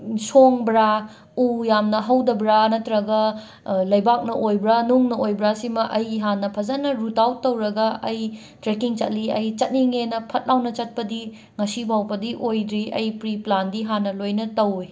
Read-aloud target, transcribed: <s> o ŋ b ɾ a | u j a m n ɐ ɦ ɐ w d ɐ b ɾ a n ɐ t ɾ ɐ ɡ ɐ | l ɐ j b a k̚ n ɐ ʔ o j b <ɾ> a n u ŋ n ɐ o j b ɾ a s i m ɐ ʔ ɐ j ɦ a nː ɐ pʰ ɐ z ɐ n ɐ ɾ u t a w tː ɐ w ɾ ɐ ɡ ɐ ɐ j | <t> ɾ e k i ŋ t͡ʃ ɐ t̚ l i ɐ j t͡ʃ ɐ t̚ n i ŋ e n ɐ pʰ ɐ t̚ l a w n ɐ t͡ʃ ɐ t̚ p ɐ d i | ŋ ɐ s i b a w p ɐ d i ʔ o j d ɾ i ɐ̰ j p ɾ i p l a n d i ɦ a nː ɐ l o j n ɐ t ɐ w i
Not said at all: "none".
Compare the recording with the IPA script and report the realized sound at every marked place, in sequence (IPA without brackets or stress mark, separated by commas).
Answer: s, ɾ, t